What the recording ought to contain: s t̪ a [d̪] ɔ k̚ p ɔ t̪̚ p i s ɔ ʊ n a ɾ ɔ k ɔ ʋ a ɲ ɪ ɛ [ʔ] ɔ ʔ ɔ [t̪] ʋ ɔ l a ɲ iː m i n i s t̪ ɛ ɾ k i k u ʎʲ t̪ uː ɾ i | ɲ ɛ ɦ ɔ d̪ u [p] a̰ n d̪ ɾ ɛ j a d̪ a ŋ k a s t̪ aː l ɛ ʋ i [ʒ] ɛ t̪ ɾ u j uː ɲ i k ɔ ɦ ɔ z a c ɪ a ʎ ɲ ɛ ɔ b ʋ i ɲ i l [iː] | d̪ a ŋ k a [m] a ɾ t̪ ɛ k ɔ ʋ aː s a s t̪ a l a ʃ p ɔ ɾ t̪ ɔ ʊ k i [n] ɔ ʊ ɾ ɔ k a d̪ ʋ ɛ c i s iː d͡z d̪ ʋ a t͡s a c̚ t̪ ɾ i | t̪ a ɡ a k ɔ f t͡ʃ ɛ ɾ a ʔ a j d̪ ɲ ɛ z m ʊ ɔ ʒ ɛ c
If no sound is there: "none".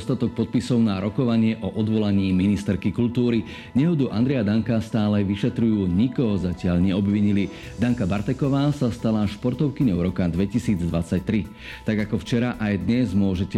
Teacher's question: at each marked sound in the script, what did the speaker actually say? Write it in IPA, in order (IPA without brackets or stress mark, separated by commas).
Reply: t̪, ʔ, d̪, ʔ, ʃ, i, b, ɲ